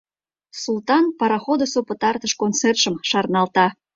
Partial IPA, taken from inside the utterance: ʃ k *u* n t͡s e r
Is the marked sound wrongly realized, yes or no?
yes